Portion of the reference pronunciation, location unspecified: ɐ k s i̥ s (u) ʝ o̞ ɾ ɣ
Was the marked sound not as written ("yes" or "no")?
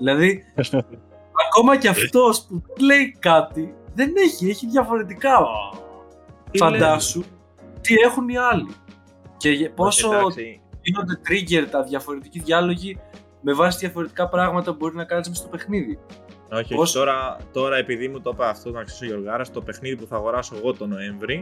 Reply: yes